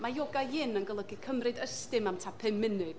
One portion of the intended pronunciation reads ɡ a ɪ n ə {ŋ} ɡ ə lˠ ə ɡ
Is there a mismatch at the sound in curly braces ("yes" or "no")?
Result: yes